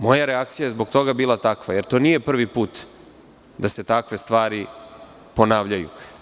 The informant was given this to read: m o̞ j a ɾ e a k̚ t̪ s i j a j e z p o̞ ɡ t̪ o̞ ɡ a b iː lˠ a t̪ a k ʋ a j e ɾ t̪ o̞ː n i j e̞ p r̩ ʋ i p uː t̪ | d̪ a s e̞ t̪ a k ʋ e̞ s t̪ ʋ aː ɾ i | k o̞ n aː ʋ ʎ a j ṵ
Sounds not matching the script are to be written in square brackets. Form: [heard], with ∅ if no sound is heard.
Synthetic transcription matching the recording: m o̞ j a ɾ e a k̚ t̪ s i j a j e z [b] o̞ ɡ t̪ o̞ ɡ a b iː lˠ a t̪ a k ʋ a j e ɾ t̪ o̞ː n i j e̞ p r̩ ʋ i p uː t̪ | d̪ a s e̞ t̪ a k ʋ e̞ s t̪ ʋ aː ɾ i | [p] o̞ n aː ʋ ʎ a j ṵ

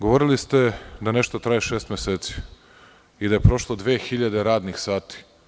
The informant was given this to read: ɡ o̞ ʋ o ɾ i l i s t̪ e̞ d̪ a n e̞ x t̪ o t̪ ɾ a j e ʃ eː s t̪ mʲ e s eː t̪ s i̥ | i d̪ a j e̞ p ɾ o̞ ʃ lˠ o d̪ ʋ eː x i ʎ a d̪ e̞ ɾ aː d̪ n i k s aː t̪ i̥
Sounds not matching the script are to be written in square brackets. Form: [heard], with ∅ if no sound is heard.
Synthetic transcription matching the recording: ɡ o̞ ʋ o ɾ i l i s t̪ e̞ d̪ a n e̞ [ʃ] t̪ o t̪ ɾ a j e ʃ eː s t̪ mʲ e s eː t̪ s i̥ | i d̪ a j e̞ p ɾ o̞ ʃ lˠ o d̪ ʋ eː x i ʎ a d̪ e̞ ɾ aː d̪ n i [x] s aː t̪ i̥

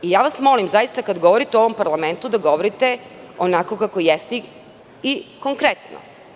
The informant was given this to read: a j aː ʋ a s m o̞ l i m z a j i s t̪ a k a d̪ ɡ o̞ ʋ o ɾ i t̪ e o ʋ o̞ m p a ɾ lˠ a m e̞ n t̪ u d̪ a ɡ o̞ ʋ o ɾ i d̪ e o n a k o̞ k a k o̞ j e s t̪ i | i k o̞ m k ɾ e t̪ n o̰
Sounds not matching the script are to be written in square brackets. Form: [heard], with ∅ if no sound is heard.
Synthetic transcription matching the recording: [i] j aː ʋ a s m o̞ l i m z a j i s t̪ a k a d̪ ɡ o̞ ʋ o ɾ i t̪ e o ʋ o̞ m p a ɾ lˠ a m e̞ n t̪ u d̪ a ɡ o̞ ʋ o ɾ i [t̪] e o n a k o̞ k a k o̞ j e s t̪ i | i k o̞ [ŋ] k ɾ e t̪ n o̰

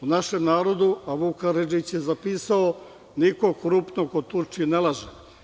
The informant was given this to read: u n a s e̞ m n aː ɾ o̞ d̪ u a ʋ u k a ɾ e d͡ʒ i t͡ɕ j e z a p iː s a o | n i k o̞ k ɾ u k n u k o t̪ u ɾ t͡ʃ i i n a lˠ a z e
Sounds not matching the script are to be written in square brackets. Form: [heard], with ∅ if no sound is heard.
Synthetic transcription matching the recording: u n a [ʃ] e̞ m n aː ɾ o̞ d̪ u a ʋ u k a ɾ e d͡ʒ i t͡ɕ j e z a p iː s a o | n i k o̞ k ɾ u [p] n [o] k o t̪ u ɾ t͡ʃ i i n [e] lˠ a [ʒ] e

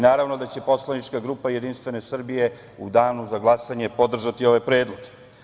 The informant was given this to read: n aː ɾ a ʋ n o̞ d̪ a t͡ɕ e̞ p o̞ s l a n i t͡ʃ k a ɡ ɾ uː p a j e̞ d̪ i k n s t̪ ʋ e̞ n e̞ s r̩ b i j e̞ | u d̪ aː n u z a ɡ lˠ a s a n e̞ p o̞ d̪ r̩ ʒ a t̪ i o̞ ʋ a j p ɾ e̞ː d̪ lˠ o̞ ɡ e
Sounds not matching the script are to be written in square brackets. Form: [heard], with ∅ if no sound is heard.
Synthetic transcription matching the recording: n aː ɾ a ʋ n o̞ d̪ a t͡ɕ e̞ p o̞ s l a n i t͡ʃ k a ɡ ɾ uː p a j e̞ d̪ i [∅] n s t̪ ʋ e̞ n e̞ s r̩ b i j e̞ | u d̪ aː n u z a ɡ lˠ a s a [ɲ] e̞ p o̞ d̪ r̩ ʒ a t̪ i o̞ ʋ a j p ɾ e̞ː d̪ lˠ o̞ ɡ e

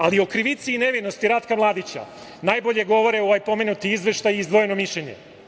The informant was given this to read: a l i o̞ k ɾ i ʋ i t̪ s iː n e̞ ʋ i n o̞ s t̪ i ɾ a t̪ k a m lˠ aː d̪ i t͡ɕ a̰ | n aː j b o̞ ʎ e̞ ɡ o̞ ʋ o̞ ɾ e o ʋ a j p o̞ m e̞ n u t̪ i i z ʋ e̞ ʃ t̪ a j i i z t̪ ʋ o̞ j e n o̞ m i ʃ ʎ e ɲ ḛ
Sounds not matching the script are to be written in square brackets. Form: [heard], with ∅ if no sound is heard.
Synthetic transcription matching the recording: a l i o̞ k ɾ i ʋ i t̪ s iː n e̞ ʋ i n o̞ s t̪ i ɾ a t̪ k a m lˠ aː d̪ i t͡ɕ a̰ | n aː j b o̞ ʎ e̞ ɡ o̞ ʋ o̞ ɾ e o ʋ a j p o̞ m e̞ n u t̪ i i z ʋ e̞ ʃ t̪ a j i i z [d̪] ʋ o̞ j e n o̞ m i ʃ ʎ e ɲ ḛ

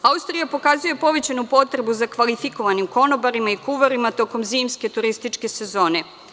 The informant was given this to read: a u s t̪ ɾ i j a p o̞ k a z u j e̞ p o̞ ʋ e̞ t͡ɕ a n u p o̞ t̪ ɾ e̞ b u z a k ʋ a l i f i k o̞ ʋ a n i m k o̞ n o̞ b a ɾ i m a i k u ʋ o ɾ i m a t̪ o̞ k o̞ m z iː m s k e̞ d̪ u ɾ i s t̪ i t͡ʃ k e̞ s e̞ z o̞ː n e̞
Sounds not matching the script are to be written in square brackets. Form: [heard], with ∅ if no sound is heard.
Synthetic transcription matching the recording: a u s t̪ ɾ i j a p o̞ k a z u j e̞ p o̞ ʋ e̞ t͡ɕ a n u p o̞ t̪ ɾ e̞ b u z a k ʋ a l i f i k o̞ ʋ a n i m k o̞ n o̞ b a ɾ i m a i k u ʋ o ɾ i m a t̪ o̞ k o̞ m z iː m s k e̞ [t̪] u ɾ i s t̪ i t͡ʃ k e̞ s e̞ z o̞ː n e̞

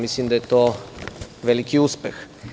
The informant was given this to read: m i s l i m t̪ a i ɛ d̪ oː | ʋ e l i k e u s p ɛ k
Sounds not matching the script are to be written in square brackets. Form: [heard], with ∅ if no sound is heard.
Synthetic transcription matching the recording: m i s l i m [d̪] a [j] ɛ [t̪] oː | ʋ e l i k [i] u s p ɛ [x]

